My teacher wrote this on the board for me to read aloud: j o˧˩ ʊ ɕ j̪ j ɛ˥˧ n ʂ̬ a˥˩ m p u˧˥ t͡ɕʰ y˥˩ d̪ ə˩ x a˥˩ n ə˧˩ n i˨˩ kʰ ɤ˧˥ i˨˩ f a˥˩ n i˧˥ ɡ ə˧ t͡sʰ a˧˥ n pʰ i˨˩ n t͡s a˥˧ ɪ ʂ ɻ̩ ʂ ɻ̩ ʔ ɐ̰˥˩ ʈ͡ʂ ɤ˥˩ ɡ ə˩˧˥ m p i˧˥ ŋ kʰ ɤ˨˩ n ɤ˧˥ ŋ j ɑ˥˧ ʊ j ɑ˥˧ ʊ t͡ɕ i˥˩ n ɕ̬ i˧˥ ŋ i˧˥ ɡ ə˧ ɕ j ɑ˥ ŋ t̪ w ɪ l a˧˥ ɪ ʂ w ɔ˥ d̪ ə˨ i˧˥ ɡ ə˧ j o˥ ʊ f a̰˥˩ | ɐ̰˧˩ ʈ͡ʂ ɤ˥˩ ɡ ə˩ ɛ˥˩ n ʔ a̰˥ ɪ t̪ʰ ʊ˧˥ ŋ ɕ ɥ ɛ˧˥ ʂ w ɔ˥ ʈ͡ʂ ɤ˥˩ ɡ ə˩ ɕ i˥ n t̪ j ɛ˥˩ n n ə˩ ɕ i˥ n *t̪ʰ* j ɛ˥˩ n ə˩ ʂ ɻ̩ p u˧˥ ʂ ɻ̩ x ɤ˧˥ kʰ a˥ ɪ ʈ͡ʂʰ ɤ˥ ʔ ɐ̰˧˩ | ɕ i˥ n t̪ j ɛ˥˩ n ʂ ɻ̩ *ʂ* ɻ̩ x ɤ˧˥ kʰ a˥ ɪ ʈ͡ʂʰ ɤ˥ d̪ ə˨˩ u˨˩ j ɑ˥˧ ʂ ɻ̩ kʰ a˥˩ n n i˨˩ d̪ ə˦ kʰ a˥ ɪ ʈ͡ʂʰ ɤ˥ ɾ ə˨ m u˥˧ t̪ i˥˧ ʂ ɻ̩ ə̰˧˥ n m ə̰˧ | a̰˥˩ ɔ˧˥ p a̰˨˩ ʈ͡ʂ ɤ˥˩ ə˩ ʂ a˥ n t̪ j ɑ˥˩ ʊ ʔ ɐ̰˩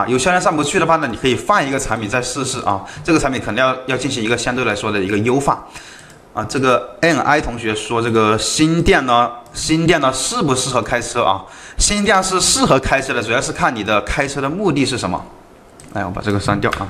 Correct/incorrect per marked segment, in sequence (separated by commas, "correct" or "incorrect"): incorrect, correct